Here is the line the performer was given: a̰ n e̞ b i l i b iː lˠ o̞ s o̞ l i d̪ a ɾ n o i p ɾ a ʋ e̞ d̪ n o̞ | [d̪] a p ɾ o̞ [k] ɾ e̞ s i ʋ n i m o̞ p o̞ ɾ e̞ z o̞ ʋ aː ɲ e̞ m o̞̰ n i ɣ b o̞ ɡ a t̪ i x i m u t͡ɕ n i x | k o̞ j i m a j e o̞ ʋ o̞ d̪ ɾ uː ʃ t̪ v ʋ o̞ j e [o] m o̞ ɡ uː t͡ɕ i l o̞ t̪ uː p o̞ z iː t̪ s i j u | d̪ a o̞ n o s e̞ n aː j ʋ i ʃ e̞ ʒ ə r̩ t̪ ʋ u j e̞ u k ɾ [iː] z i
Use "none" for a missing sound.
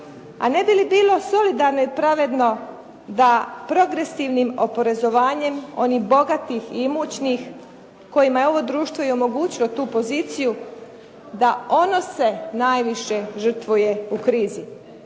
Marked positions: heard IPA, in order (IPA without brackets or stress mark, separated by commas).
d̪, ɡ, o, iː